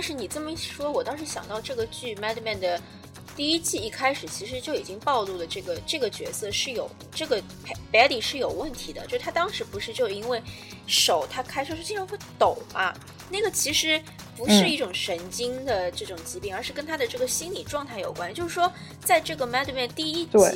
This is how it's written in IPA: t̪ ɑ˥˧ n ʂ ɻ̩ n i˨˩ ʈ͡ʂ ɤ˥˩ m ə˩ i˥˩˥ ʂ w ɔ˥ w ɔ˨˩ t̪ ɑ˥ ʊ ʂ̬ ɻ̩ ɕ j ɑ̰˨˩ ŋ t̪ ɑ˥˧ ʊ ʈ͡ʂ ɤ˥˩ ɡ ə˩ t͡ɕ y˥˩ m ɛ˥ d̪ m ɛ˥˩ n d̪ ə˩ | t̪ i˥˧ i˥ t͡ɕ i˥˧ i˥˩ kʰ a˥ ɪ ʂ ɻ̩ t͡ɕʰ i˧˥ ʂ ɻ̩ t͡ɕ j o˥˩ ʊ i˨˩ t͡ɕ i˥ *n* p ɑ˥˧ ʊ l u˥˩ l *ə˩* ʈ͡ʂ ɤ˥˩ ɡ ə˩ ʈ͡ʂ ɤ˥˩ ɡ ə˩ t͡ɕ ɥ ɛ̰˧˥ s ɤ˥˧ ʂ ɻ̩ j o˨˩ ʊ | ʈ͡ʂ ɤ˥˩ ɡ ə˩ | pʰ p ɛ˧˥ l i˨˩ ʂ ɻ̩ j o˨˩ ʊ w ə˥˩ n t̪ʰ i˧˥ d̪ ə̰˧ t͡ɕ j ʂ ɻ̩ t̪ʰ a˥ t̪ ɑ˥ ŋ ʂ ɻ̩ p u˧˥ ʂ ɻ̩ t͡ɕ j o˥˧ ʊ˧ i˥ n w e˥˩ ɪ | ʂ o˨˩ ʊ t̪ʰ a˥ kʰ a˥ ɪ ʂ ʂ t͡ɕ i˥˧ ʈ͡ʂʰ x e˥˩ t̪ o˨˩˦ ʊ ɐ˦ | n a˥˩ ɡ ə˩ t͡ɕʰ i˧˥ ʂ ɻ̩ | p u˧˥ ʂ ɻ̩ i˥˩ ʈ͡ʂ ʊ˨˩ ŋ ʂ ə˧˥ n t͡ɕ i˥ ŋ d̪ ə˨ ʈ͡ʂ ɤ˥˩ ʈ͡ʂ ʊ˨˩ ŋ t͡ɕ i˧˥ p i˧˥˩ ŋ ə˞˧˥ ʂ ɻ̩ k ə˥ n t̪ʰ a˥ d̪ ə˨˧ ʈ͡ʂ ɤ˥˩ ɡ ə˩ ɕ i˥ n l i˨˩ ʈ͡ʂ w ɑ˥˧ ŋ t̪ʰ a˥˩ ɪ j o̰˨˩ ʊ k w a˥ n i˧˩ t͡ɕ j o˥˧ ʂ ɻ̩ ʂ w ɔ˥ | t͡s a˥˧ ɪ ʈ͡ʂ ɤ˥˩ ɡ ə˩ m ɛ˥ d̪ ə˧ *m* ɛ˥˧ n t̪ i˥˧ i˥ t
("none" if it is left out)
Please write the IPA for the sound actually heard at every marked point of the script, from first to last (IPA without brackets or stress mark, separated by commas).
ŋ, ə˩, m